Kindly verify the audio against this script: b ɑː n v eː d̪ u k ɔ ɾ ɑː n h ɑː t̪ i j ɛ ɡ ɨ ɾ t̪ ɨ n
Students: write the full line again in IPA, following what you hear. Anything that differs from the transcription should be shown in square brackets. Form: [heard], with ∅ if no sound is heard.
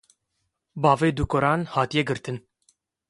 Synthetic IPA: b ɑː [∅] v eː d̪ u k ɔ ɾ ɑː n h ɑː t̪ i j ɛ ɡ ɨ ɾ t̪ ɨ n